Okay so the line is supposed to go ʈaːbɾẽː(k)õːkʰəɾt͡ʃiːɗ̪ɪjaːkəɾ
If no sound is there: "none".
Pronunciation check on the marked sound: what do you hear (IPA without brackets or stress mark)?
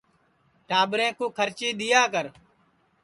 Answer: k